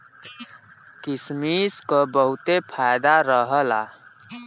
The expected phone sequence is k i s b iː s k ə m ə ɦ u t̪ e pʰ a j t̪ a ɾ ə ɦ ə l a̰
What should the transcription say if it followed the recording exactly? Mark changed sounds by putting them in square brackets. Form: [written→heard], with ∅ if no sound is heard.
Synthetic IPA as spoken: k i s [b→m] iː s k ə [m→b] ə ɦ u t̪ e pʰ a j [t̪→d̪] a ɾ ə ɦ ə l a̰